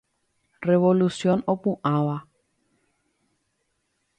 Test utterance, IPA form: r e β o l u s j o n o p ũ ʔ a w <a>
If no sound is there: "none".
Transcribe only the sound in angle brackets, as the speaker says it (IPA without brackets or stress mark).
a